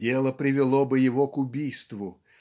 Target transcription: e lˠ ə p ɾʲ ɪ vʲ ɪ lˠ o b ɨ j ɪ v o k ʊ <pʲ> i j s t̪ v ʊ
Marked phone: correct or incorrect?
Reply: incorrect